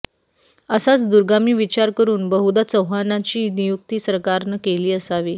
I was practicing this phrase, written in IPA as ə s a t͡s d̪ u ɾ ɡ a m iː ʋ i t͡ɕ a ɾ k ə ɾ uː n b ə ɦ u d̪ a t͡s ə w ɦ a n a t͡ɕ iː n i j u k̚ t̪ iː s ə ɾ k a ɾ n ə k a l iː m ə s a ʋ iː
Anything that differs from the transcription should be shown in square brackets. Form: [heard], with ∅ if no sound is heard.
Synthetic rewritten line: ə s a t͡s d̪ u ɾ ɡ a m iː ʋ i t͡ɕ a ɾ k ə ɾ uː n b ə ɦ u d̪ a t͡s ə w ɦ a n a t͡ɕ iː n i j u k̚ t̪ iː s ə ɾ k a ɾ n ə k [e] l iː [∅] ə s a ʋ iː